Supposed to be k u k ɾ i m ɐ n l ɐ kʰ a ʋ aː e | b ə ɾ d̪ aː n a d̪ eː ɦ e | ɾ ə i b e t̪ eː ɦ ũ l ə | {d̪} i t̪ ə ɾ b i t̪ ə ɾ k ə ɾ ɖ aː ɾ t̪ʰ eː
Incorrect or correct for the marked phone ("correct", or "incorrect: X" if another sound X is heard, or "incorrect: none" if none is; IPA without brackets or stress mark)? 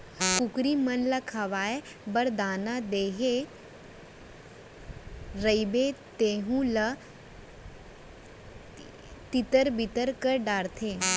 incorrect: t̪